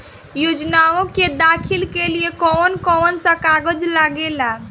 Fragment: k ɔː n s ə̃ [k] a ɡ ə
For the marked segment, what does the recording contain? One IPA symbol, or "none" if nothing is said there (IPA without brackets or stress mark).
k